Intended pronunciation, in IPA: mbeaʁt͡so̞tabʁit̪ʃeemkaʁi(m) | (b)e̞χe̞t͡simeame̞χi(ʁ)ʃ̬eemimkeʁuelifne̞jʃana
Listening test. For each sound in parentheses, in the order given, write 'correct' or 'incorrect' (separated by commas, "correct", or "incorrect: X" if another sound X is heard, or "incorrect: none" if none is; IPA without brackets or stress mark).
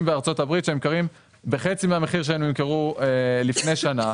correct, correct, correct